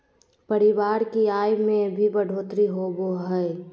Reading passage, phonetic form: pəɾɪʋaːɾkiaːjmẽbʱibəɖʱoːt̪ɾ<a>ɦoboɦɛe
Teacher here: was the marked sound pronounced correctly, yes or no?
no